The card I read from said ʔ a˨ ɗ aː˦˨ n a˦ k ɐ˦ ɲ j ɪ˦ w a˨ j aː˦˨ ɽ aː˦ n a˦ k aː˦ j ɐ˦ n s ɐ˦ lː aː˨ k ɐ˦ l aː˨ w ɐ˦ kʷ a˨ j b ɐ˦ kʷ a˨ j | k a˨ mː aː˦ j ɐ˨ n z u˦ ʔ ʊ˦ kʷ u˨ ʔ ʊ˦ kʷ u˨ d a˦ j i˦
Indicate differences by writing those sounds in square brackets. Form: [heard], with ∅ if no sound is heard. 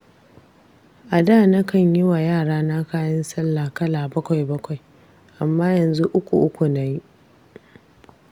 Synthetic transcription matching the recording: ʔ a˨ [d] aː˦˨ n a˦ k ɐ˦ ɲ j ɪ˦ w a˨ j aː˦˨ ɽ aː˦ n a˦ k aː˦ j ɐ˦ n s ɐ˦ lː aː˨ k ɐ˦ l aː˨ [b] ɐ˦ kʷ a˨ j b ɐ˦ kʷ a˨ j | [ʔ] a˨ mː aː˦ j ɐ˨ n z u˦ ʔ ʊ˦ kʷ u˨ ʔ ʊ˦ kʷ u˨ [n] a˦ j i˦